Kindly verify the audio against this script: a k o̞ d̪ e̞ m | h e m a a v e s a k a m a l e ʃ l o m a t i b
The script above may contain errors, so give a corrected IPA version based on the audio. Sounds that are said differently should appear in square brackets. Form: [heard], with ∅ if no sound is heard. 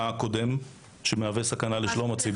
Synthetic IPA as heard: a k o̞ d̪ e̞ m | [ʃ] e m [e] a v e s a k a [n] a l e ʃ l o m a [t͡s] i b